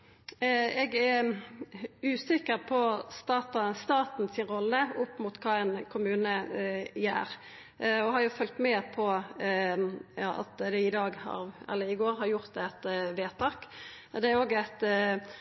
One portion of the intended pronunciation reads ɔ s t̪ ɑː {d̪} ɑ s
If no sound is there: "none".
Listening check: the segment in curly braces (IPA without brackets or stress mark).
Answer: t̪